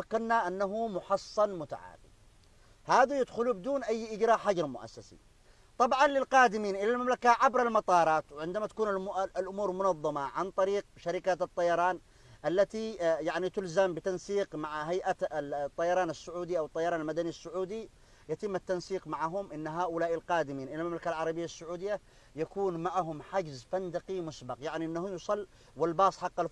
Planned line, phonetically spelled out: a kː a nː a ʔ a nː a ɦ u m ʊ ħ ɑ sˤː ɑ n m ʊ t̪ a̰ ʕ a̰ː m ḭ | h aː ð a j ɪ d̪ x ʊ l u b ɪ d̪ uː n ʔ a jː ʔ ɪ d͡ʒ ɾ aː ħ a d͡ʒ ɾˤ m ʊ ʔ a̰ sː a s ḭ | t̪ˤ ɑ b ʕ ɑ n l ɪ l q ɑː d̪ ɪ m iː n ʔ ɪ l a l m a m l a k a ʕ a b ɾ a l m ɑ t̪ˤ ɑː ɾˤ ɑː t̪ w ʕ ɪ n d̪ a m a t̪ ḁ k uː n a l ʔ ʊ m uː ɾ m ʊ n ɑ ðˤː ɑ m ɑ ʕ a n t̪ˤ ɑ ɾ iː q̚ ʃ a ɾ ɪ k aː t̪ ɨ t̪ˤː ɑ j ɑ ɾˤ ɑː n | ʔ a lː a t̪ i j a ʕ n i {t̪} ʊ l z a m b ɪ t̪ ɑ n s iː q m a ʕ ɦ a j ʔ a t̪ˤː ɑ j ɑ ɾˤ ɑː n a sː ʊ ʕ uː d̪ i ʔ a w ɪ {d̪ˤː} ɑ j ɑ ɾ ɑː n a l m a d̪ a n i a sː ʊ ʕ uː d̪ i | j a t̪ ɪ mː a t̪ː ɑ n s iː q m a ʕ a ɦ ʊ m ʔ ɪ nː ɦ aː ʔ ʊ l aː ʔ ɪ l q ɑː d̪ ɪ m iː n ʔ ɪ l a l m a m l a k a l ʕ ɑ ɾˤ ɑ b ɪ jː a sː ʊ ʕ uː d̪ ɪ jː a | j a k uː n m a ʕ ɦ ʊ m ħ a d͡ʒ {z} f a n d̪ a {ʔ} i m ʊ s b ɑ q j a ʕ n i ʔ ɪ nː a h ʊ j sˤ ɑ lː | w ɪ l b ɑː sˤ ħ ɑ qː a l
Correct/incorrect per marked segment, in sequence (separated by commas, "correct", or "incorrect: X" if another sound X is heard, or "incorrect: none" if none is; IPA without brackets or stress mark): correct, incorrect: t̪ˤː, correct, incorrect: q